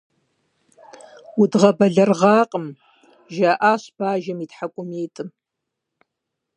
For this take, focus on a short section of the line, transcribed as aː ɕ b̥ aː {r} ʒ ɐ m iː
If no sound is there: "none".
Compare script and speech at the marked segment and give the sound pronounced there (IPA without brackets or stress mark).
none